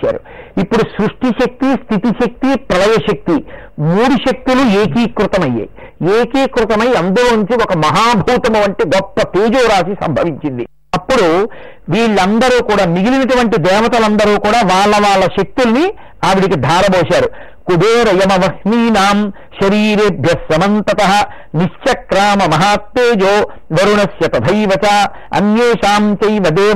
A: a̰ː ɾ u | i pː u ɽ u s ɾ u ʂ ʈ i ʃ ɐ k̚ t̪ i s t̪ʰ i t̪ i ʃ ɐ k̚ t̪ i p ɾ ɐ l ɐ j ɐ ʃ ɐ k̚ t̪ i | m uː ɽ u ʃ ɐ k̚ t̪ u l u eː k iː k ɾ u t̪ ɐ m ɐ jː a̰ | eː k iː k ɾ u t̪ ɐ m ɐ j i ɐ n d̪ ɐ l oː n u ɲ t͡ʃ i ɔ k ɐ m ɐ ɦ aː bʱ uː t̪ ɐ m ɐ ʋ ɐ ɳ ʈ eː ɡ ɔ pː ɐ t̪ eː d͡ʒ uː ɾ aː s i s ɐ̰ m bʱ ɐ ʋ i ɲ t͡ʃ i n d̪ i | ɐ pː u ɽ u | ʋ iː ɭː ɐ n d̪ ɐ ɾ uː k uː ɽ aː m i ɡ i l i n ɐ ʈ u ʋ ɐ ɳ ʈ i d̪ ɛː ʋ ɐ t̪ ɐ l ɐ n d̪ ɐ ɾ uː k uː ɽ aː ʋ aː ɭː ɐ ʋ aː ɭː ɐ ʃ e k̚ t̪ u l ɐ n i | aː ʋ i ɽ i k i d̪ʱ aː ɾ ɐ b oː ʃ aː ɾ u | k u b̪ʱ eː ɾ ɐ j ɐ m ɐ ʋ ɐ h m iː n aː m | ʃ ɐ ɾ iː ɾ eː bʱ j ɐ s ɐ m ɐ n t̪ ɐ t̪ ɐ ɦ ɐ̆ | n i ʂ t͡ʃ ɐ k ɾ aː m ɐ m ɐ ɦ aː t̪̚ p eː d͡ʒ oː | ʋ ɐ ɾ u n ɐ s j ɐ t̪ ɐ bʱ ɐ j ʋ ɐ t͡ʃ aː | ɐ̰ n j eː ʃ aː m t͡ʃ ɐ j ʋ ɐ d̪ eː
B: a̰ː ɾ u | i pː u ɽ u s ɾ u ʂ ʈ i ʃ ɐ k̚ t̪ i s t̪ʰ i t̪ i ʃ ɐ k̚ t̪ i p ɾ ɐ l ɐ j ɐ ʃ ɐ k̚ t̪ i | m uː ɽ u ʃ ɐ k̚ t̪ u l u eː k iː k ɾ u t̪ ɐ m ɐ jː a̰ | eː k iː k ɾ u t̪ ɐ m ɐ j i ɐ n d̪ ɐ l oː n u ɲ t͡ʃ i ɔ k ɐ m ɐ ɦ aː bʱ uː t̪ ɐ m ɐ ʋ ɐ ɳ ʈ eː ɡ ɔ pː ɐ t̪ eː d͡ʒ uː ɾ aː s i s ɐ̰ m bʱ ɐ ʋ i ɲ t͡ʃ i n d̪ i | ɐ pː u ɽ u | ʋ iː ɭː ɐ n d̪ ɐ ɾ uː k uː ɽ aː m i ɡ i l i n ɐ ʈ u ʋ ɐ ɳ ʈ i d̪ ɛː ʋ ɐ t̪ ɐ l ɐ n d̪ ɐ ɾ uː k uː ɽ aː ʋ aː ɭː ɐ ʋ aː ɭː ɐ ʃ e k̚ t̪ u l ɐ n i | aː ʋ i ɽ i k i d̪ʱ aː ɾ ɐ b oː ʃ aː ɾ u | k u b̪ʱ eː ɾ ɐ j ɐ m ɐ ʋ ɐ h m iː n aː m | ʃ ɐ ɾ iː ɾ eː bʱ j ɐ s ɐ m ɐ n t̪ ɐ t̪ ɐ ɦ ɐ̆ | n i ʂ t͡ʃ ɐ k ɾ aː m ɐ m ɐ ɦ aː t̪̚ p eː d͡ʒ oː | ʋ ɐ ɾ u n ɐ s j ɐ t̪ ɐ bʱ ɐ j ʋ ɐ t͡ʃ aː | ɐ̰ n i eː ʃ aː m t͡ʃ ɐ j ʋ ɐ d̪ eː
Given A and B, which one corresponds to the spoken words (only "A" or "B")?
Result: A